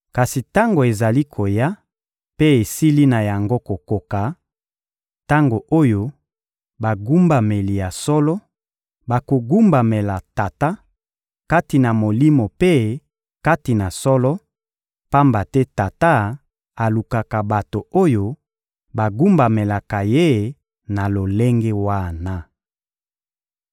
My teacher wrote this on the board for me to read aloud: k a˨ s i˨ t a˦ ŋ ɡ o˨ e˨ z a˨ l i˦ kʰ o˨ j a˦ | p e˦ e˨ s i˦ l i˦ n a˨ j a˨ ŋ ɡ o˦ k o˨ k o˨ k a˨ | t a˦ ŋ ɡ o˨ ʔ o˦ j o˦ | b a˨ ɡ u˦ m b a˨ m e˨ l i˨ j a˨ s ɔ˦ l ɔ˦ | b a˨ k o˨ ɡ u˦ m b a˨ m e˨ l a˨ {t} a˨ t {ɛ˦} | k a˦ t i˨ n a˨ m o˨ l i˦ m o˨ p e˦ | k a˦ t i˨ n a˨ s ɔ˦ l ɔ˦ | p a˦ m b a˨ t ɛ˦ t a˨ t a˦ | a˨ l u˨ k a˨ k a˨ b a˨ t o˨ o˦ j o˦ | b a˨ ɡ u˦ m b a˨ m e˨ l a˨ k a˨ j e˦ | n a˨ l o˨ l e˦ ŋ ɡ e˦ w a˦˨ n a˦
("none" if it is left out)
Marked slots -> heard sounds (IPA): t, a˦

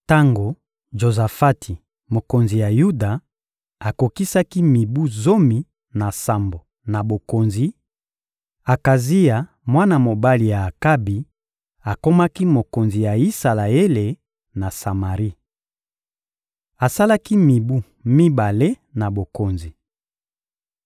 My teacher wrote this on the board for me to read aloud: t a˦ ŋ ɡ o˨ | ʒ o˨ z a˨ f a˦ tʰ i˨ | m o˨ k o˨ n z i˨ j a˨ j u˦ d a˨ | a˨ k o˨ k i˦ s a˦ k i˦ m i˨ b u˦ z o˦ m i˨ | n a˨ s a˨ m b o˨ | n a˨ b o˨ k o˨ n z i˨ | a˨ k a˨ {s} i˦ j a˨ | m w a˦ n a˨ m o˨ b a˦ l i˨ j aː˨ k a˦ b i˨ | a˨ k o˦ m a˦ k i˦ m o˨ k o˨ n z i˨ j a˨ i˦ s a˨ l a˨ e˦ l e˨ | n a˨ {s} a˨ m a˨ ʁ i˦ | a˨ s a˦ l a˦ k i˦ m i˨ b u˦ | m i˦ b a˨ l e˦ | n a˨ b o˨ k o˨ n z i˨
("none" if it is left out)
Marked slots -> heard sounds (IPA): z, s

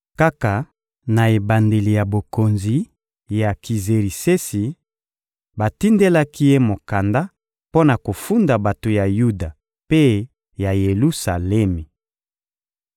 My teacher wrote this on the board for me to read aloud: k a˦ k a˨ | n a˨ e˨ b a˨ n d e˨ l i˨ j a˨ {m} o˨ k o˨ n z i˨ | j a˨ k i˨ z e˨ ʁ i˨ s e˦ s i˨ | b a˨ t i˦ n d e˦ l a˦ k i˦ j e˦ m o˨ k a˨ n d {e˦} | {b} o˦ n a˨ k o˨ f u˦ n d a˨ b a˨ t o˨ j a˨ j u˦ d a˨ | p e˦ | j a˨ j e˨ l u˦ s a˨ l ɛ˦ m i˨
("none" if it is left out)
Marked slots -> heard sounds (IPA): b, a˦, p

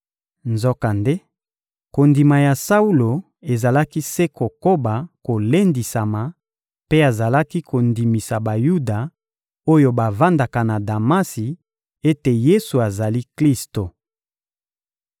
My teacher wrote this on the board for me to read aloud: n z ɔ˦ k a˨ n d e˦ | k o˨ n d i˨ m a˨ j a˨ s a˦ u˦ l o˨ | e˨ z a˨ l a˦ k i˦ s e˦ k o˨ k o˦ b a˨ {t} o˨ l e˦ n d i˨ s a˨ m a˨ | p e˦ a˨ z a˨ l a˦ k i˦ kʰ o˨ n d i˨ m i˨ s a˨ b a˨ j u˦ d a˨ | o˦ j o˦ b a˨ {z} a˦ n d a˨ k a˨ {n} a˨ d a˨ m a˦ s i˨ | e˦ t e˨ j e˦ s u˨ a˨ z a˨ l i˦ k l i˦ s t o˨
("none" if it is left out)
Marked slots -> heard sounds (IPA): k, v, n

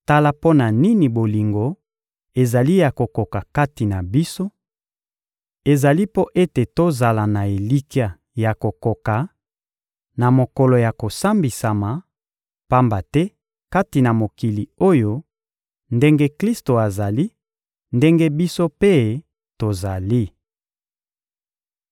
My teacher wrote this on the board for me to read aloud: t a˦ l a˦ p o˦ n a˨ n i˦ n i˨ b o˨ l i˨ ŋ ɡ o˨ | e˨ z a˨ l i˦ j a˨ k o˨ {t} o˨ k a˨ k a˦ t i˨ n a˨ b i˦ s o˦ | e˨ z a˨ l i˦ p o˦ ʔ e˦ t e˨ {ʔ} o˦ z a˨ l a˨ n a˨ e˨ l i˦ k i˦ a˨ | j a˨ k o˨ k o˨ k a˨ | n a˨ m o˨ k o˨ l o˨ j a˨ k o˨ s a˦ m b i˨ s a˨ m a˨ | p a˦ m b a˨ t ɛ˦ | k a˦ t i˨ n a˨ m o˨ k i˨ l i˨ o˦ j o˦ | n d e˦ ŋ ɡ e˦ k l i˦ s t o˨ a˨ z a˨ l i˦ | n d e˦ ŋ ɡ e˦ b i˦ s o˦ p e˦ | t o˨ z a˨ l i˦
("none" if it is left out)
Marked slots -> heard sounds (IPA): k, t

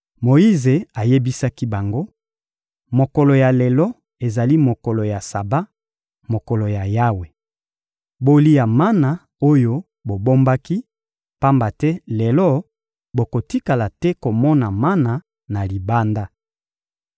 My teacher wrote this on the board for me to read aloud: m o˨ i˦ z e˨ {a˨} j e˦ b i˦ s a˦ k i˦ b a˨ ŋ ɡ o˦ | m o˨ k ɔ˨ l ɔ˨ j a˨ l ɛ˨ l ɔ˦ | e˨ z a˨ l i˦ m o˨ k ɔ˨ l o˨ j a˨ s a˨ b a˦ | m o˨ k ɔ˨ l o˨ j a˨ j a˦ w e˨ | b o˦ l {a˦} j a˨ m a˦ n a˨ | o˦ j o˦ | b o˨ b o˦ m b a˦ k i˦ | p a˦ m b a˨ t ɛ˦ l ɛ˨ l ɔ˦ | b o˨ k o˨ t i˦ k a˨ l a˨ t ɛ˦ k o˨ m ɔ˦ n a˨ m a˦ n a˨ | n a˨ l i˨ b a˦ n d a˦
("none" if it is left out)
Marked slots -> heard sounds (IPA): a˨, i˦

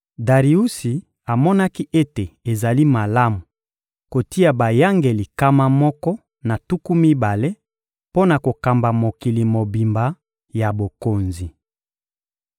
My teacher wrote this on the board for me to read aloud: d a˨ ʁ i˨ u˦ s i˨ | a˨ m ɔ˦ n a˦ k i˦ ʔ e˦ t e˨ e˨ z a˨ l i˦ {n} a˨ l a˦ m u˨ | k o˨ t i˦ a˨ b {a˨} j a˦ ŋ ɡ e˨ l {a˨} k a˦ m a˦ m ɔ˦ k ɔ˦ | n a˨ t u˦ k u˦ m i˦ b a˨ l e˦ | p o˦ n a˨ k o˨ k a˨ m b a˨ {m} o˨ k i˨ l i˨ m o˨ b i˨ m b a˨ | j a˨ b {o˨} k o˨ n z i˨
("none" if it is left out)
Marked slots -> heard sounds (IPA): m, a˨, i˨, m, o˨

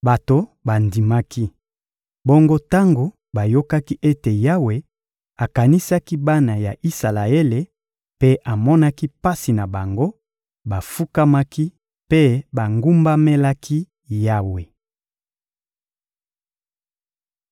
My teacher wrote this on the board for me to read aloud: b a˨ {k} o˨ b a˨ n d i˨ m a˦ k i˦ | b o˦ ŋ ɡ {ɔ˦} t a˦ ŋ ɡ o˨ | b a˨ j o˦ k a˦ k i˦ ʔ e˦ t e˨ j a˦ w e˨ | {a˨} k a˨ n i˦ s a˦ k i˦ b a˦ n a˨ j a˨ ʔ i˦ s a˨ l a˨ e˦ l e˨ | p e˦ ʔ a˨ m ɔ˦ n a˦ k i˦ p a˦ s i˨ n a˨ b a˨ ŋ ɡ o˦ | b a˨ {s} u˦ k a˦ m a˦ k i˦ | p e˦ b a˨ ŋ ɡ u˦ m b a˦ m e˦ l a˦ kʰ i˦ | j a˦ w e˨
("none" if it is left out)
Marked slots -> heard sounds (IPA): t, o˦, a˨, f

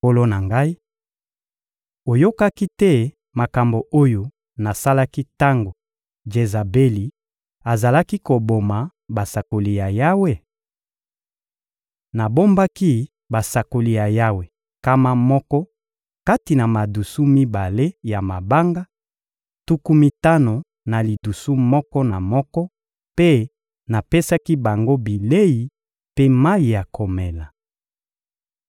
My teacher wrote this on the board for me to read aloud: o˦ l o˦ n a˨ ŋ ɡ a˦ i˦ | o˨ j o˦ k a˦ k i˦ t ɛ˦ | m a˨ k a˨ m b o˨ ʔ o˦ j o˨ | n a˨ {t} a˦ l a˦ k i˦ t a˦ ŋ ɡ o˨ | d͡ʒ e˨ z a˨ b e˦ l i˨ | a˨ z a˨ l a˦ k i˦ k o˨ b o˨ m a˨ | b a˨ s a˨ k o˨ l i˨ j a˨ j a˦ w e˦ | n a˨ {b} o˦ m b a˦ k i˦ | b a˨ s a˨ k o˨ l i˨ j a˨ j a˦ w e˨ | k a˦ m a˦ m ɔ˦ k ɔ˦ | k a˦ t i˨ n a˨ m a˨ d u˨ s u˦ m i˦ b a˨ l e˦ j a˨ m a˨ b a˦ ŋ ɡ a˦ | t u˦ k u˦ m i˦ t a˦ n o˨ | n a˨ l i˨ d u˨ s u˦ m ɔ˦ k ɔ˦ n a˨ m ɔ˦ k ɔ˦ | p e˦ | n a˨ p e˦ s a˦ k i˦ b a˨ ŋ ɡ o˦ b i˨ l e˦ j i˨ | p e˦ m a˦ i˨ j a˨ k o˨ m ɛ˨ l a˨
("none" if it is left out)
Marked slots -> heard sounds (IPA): s, b

